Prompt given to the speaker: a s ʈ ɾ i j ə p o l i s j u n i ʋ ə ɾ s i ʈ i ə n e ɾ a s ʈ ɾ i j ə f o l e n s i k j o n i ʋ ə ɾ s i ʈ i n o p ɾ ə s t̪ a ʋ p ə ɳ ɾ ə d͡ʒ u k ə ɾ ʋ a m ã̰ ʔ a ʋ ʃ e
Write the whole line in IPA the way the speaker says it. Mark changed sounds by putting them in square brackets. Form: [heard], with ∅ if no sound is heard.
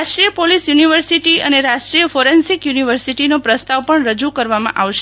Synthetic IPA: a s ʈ ɾ i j ə p o l i s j u n i ʋ ə ɾ s i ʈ i ə n e ɾ a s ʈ ɾ i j ə f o [ɾ] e n s i k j [u] n i ʋ ə ɾ s i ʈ i n o p ɾ ə s t̪ a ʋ p ə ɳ ɾ ə d͡ʒ u k ə ɾ ʋ a m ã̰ ʔ a ʋ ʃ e